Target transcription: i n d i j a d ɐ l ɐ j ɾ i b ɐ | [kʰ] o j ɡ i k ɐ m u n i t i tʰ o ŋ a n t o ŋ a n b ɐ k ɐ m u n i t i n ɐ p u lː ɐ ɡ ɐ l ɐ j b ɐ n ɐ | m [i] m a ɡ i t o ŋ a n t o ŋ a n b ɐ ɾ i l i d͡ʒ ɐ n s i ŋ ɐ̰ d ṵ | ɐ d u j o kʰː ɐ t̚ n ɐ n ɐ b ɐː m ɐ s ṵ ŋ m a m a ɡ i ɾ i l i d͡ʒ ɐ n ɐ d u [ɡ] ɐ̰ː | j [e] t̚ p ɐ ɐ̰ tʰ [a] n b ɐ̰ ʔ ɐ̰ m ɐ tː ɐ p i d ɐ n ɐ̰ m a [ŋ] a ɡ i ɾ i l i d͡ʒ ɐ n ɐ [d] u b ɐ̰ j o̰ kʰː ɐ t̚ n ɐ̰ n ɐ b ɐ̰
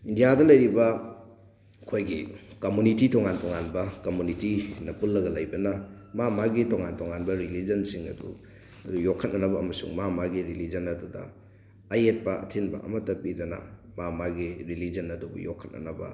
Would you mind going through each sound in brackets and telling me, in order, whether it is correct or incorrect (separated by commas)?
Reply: correct, incorrect, incorrect, correct, incorrect, incorrect, correct